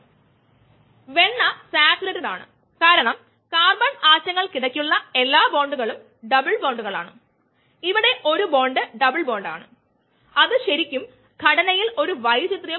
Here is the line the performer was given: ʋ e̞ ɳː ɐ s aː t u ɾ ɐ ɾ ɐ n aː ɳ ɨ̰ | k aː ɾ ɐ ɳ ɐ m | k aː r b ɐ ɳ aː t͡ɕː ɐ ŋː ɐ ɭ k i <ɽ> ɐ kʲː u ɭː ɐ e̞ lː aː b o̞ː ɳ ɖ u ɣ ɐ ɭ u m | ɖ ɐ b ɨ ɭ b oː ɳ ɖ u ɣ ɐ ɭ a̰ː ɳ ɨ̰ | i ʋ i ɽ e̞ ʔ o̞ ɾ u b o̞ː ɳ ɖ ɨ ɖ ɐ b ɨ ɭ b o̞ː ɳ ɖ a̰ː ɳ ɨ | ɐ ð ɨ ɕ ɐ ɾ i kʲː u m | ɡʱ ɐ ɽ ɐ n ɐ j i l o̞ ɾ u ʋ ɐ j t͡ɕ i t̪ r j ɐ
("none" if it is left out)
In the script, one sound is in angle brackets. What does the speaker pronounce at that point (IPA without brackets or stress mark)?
ɽ